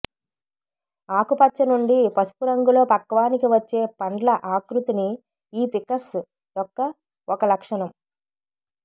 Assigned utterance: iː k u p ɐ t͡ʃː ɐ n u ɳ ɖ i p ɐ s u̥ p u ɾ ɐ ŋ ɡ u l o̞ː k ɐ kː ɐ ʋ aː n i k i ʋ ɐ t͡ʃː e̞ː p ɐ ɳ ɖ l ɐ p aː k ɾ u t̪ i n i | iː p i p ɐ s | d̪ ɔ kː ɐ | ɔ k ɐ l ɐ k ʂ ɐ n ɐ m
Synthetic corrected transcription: aː k u p ɐ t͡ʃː ɐ n u ɳ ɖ i p ɐ s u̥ p u ɾ ɐ ŋ ɡ u l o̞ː p ɐ kː ɐ ʋ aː n i k i ʋ ɐ t͡ʃː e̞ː p ɐ ɳ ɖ l ɐ ʔ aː k ɾ u t̪ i n i | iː p i k ɐ s | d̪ ɔ kː ɐ | ɔ k ɐ l ɐ k ʂ ɐ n ɐ m